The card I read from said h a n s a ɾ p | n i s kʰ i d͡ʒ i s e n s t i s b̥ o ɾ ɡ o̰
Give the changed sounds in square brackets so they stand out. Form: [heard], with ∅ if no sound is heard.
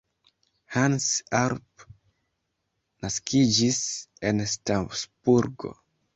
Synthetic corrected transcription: h a n s a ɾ p | n [a] s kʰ i d͡ʒ i s e n s t [a] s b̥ [u] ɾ ɡ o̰

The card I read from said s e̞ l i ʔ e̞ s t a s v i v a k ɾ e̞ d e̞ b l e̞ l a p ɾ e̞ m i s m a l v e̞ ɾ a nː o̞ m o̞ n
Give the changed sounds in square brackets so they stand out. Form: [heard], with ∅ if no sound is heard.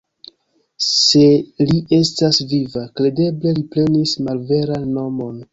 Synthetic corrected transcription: s e̞ l i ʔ e̞ s t a s v i v a k ɾ e̞ d e̞ b l e̞ l [i] p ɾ e̞ [n] i s m a l v e̞ ɾ a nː o̞ m o̞ n

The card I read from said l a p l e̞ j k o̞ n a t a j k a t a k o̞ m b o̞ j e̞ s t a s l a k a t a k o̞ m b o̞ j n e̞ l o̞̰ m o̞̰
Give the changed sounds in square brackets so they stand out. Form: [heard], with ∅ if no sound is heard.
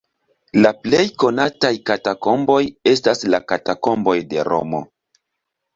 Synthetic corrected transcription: l a p l e̞ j k o̞ n a t a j k a t a k o̞ m b o̞ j e̞ s t a s l a k a t a k o̞ m b o̞ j [d] e̞ [ɾ] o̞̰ m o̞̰

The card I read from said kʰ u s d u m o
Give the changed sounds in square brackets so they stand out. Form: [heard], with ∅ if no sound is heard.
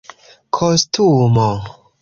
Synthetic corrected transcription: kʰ [o] s [t] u m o

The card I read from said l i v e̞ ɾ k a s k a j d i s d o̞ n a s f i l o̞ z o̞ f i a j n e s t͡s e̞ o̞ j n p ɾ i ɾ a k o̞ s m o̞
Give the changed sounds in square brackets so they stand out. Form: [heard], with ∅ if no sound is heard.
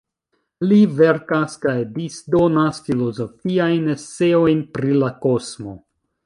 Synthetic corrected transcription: l i v e̞ ɾ k a s k a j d i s d o̞ n a s f i l o̞ z o̞ f i a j n e s t͡s e̞ o̞ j n p ɾ i [l] a k o̞ s m o̞

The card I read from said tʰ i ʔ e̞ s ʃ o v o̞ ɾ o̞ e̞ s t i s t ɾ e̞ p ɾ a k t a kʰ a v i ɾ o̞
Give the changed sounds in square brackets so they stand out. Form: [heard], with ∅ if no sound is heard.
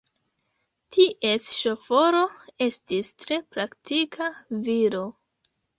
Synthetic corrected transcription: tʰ i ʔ e̞ s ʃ o [f] o̞ ɾ o̞ e̞ s t i s t ɾ e̞ p ɾ a k t [i] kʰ a v i ɾ o̞

